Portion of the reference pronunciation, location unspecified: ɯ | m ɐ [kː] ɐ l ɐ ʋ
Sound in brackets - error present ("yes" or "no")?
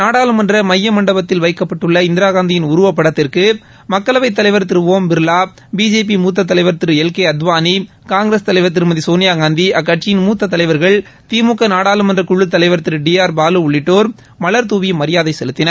no